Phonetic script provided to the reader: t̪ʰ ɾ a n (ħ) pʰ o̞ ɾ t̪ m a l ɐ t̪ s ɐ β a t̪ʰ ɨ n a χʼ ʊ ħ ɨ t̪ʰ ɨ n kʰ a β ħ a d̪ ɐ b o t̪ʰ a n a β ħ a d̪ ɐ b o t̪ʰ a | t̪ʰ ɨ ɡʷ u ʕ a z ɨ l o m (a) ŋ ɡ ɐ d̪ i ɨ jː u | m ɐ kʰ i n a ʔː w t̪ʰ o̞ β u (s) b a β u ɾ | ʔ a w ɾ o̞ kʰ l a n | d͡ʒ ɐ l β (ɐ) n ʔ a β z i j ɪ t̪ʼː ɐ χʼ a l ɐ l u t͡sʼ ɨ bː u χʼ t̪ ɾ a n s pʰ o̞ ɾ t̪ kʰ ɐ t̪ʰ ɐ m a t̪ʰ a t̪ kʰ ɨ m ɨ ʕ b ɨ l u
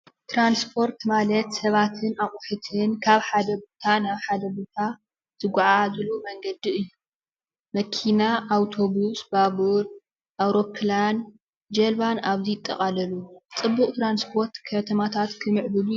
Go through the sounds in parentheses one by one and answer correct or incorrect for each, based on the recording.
incorrect, incorrect, correct, incorrect

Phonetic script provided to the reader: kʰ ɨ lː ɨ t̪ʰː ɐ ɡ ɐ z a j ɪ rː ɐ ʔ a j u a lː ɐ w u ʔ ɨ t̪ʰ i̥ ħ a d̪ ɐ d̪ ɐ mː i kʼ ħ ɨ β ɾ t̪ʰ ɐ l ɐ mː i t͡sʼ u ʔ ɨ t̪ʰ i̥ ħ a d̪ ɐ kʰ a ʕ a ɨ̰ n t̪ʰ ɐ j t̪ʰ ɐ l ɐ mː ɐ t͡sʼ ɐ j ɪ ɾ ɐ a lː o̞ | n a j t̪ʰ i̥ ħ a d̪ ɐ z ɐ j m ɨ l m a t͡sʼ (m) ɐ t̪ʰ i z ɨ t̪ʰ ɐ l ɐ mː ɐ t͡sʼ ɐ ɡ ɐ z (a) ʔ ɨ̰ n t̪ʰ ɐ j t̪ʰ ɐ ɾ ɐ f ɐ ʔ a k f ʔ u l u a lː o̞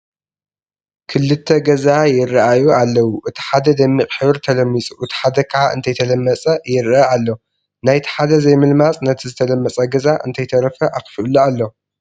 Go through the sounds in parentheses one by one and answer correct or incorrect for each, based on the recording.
incorrect, correct

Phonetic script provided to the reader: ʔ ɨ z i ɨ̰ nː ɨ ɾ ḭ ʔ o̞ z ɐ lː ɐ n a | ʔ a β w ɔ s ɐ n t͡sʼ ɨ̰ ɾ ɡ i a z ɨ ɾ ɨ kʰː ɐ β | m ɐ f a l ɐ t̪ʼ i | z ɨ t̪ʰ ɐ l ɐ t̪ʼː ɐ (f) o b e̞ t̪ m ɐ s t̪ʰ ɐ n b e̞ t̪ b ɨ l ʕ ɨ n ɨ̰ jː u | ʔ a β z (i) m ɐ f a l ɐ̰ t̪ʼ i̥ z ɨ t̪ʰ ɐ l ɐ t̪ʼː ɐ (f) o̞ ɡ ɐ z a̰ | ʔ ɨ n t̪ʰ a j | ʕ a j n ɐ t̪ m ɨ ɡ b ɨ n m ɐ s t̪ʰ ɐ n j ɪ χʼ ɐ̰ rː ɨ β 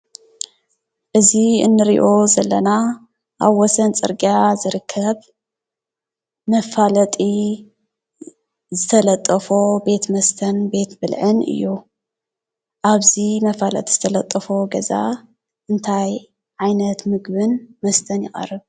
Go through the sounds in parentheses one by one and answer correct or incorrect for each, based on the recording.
correct, correct, correct

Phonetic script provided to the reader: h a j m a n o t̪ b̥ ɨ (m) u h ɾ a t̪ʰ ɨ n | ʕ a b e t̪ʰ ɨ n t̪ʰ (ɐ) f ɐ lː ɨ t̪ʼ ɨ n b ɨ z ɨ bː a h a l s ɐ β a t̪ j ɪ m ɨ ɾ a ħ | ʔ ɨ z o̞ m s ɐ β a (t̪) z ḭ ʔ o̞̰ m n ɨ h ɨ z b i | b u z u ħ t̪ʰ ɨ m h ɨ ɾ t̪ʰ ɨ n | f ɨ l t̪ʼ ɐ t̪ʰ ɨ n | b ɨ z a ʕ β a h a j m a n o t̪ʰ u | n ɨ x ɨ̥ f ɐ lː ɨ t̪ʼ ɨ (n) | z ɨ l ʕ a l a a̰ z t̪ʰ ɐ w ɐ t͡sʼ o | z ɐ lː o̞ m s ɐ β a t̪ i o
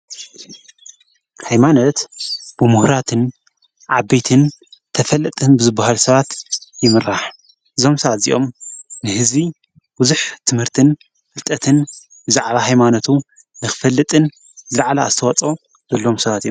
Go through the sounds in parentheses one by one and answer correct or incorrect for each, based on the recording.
correct, correct, correct, correct

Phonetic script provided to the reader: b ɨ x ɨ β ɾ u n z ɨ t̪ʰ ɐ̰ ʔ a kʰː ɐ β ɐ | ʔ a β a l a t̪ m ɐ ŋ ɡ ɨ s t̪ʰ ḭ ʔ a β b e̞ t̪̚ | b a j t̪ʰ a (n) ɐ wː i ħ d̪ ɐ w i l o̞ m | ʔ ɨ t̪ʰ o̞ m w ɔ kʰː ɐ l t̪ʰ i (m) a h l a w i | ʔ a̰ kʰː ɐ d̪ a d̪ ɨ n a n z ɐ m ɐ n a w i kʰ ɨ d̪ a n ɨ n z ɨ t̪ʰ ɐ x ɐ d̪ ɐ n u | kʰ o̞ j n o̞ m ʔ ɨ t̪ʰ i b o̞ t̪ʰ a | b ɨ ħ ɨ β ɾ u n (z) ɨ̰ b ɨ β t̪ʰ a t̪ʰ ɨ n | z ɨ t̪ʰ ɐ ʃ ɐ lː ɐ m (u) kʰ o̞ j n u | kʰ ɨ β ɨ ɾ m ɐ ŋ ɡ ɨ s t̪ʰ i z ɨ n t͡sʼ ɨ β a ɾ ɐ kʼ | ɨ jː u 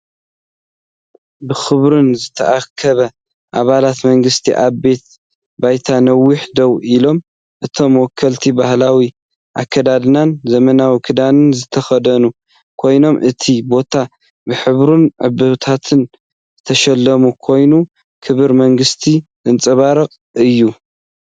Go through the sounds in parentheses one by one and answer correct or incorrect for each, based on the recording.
correct, incorrect, incorrect, correct

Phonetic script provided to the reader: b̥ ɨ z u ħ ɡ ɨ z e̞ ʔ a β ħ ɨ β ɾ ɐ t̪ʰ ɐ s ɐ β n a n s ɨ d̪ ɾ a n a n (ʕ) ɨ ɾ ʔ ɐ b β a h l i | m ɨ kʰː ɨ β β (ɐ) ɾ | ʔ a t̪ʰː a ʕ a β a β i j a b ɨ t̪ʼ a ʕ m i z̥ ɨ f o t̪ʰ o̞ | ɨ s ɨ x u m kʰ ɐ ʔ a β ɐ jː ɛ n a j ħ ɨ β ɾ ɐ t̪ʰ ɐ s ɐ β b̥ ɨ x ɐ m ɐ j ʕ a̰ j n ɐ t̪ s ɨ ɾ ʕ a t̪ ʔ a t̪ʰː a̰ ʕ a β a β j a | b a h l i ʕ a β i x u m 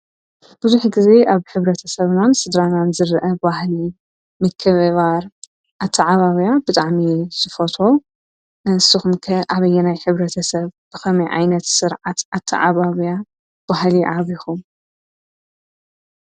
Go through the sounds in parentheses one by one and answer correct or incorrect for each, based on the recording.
incorrect, incorrect

